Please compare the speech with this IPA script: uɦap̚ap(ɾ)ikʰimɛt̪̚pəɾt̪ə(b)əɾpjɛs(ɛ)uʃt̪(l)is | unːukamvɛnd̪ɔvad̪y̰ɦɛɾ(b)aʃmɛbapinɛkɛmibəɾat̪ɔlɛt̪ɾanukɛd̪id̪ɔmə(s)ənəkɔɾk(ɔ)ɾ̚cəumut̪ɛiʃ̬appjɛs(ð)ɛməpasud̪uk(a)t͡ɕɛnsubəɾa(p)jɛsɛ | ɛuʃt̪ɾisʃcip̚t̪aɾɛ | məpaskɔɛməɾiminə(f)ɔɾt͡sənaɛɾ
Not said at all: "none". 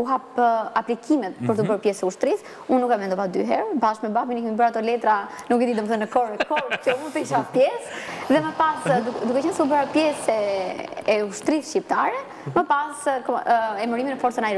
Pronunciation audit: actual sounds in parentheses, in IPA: l, b, ɛ, ɾ, b, θ, ɔ, ð, ɛ, p, f

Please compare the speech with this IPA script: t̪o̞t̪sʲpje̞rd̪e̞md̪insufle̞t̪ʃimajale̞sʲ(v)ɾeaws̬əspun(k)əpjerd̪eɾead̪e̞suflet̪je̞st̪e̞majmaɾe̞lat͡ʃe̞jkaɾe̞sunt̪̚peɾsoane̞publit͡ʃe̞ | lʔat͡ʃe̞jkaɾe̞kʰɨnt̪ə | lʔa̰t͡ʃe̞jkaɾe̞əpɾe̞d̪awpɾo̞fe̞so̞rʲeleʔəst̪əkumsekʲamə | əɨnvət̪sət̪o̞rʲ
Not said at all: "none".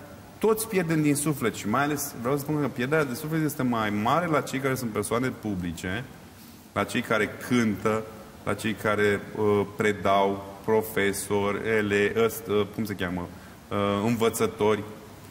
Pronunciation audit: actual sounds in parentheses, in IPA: v, k

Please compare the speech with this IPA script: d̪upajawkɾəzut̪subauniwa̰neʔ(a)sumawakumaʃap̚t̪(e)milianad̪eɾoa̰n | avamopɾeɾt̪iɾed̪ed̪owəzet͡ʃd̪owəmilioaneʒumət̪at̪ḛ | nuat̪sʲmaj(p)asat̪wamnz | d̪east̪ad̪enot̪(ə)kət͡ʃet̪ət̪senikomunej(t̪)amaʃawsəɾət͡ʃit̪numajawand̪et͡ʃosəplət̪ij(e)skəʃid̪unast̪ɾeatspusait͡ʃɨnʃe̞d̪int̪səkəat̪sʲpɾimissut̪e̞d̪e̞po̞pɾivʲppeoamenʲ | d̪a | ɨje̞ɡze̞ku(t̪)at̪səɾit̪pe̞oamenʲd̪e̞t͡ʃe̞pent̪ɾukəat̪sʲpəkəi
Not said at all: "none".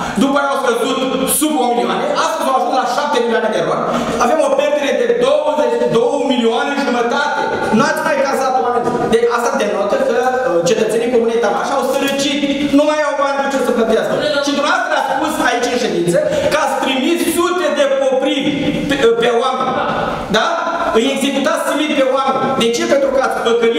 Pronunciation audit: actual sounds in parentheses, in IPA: a, e, k, ə, t̪, a, t̪

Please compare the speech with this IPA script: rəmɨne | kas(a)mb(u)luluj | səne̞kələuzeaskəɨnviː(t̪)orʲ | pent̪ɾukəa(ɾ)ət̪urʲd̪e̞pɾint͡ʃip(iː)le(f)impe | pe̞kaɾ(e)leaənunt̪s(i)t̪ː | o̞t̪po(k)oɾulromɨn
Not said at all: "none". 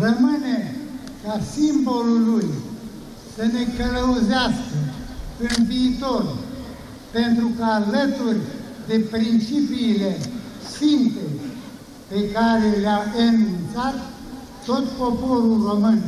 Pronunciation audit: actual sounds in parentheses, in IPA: i, o, t̪, l, iː, s, e, a, p

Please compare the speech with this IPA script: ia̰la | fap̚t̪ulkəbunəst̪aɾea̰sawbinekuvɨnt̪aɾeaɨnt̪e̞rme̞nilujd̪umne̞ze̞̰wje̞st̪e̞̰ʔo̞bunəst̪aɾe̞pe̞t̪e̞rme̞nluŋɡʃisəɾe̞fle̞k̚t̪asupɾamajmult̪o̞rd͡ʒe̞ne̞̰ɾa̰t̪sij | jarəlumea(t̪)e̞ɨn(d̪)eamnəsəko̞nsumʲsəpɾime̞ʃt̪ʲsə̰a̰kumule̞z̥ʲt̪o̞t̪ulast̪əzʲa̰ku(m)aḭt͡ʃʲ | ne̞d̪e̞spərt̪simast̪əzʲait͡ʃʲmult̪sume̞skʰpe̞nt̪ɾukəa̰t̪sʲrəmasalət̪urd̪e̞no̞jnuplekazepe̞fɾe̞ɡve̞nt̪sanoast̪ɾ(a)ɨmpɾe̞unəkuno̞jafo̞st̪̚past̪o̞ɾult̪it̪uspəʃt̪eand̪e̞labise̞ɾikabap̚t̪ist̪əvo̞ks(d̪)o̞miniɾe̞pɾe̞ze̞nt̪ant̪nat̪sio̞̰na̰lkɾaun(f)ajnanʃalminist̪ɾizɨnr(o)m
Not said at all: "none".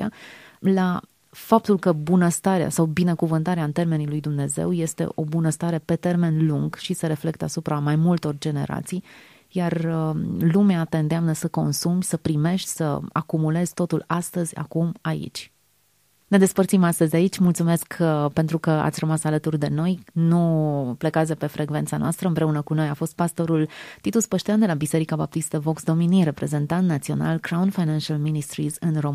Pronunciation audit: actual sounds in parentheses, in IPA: t̪, d̪, m, ə, d̪, f, o

